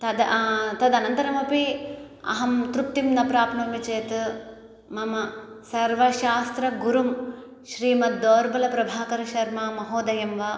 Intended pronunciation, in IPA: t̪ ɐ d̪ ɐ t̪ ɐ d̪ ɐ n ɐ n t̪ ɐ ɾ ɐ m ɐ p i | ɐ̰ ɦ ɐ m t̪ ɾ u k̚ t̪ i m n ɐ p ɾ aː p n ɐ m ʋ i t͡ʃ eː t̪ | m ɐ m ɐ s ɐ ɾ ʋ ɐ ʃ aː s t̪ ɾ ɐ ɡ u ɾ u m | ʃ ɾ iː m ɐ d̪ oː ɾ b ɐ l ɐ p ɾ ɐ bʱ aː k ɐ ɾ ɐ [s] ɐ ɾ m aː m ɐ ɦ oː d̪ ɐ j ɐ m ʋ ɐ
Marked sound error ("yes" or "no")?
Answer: yes